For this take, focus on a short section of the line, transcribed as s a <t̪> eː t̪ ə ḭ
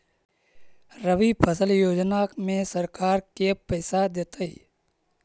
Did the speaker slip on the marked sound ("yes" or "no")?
yes